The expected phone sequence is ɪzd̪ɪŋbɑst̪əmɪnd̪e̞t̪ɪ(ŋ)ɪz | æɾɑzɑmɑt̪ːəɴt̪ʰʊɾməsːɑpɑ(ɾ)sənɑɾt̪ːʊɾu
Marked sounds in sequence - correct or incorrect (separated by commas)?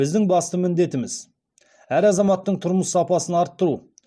incorrect, incorrect